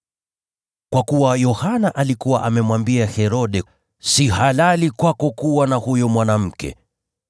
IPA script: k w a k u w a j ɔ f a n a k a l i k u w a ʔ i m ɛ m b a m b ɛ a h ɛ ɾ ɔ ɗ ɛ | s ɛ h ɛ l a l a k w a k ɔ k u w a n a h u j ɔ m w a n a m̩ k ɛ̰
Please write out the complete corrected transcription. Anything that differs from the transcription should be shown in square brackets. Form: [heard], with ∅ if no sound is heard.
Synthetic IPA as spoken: k w a k u w a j ɔ [h] a n a [ʔ] a l i k u w a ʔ [a] m ɛ m [w] a m b [i] a h ɛ ɾ ɔ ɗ ɛ | s [i] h [a] l a l [i] k w a k ɔ k u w a n a h u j ɔ m w a n a m̩ k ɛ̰